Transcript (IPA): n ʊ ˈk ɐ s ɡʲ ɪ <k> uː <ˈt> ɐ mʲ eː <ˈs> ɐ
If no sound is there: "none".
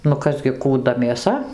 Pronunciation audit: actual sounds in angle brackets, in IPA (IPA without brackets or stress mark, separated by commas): k, d, s